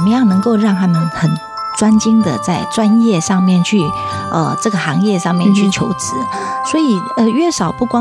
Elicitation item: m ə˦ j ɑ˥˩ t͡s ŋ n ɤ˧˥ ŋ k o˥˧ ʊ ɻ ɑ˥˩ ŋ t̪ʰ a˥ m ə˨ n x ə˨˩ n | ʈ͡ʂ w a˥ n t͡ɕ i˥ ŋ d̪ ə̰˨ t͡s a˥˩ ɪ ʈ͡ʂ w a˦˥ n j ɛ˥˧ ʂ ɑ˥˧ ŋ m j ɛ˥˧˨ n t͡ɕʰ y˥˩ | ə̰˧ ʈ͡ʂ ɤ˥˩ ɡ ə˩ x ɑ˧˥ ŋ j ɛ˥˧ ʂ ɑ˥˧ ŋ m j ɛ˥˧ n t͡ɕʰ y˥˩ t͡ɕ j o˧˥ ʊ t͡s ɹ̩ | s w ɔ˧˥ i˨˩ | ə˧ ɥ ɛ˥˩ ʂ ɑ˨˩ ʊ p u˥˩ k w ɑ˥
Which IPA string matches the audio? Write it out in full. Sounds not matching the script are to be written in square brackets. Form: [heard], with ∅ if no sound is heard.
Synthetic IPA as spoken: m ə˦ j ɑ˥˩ [∅] ŋ n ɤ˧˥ ŋ k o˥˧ ʊ ɻ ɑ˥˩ ŋ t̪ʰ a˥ m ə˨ n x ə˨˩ n | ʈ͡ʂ w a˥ n t͡ɕ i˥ ŋ d̪ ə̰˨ t͡s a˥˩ ɪ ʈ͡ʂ w a˦˥ n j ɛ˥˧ ʂ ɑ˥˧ ŋ m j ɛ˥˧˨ n t͡ɕʰ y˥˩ | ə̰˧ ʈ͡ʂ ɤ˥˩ ɡ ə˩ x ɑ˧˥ ŋ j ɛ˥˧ ʂ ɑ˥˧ ŋ m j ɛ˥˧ n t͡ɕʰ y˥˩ [t͡ɕʰ] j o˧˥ ʊ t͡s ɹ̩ | s w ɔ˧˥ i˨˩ | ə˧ ɥ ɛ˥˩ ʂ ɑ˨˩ ʊ p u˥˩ k w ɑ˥